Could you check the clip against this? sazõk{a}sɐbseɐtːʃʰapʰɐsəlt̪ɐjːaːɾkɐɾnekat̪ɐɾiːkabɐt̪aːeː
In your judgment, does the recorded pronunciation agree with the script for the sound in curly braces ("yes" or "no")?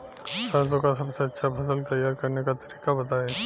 yes